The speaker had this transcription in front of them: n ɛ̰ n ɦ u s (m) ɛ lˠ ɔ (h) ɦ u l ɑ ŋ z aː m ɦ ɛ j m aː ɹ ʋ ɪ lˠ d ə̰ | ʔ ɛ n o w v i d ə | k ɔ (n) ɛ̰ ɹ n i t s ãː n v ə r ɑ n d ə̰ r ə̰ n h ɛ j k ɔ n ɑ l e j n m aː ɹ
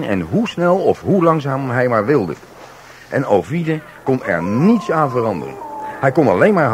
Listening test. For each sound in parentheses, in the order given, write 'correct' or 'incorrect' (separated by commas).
incorrect, incorrect, correct